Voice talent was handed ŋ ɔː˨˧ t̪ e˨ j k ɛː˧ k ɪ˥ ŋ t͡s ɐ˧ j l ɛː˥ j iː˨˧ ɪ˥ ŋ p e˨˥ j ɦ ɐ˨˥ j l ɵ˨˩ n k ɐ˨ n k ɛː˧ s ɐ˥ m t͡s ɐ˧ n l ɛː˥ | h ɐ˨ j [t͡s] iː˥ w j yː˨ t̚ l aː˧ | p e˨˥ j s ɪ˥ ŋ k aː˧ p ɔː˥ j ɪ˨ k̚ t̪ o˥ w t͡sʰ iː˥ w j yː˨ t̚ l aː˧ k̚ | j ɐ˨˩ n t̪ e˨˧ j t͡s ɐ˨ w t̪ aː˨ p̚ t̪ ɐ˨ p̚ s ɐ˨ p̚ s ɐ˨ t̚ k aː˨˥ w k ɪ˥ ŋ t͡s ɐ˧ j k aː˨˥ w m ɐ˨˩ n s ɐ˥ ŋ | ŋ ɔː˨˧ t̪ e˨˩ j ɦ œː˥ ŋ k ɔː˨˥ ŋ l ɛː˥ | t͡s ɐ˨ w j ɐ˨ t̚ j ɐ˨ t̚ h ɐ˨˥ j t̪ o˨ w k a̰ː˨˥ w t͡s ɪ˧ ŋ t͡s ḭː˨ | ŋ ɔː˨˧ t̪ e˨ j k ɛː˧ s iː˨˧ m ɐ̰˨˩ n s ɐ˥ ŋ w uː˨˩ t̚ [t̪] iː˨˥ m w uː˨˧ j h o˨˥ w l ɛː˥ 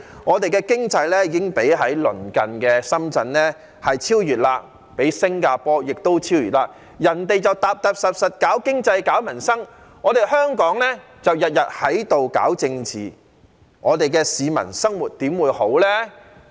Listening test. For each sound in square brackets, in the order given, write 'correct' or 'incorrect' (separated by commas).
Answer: incorrect, correct